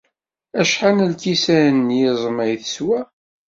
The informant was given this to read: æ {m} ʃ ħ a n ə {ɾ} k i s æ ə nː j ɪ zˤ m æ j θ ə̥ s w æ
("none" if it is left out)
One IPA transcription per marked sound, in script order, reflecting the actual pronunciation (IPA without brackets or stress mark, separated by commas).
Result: none, l